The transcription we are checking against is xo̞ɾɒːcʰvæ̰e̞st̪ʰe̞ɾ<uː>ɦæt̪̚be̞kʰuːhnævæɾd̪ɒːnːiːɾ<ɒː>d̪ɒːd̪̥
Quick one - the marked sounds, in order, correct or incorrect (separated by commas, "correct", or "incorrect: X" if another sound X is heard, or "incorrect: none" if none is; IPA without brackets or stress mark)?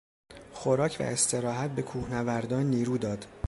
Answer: incorrect: ɒː, incorrect: uː